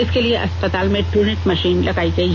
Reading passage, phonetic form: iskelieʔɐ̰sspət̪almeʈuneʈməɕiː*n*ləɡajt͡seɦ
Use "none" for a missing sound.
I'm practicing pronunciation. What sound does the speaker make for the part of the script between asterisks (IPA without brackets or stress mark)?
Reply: n